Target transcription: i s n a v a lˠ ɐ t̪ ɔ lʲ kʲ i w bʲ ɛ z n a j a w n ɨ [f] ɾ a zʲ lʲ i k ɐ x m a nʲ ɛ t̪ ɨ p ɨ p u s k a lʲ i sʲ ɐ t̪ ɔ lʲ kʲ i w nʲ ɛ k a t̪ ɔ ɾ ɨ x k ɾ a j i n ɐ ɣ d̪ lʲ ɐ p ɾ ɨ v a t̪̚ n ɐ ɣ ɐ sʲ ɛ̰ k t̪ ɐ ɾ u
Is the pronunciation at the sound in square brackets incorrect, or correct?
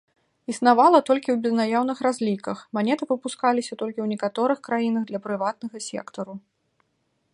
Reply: incorrect